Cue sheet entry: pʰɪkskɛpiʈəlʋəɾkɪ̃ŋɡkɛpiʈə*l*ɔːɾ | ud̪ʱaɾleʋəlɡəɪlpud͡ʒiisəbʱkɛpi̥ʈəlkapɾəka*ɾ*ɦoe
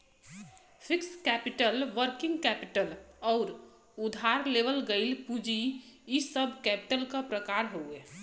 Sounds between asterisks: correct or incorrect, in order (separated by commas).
correct, correct